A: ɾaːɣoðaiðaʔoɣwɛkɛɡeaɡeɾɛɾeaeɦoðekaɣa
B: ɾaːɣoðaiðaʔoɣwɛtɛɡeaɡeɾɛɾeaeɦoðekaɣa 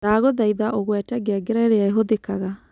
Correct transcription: B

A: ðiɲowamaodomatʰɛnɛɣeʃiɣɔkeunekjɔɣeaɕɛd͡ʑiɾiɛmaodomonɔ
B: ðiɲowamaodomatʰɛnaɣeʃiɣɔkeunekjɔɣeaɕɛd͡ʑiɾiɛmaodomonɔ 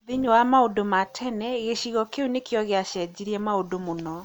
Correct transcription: A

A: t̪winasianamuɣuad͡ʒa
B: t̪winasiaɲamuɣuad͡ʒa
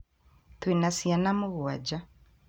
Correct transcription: A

